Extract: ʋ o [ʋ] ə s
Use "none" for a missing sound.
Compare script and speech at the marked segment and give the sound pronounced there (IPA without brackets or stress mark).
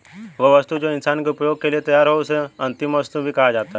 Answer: ʋ